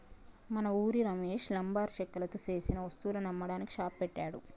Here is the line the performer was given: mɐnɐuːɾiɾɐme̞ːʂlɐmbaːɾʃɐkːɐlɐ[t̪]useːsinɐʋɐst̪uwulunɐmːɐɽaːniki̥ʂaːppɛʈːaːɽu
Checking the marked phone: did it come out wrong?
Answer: no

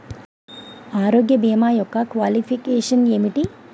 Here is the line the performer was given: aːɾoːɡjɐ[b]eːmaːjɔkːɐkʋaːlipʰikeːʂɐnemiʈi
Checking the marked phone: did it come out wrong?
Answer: no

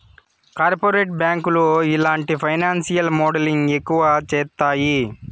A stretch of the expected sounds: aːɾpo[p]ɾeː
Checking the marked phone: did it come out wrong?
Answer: yes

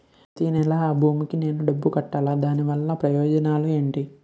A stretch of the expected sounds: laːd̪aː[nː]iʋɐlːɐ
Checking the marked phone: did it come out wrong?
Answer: yes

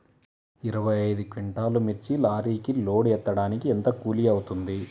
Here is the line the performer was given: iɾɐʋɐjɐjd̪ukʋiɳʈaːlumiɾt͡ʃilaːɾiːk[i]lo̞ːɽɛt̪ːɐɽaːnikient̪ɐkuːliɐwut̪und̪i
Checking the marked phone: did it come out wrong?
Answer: no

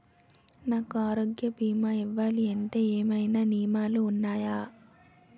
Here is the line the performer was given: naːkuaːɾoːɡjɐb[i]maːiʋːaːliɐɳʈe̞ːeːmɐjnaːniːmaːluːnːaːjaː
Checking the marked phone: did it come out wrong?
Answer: yes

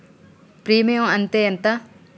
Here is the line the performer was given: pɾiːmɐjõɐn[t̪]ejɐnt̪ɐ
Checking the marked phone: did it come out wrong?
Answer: no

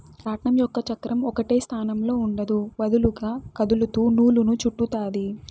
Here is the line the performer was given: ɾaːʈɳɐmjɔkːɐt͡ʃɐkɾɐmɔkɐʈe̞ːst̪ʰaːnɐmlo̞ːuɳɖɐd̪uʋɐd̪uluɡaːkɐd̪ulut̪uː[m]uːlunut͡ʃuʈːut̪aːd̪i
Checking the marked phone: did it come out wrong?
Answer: yes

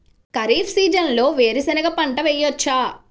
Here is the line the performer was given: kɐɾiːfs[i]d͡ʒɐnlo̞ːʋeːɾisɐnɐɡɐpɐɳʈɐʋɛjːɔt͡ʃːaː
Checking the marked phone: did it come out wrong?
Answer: yes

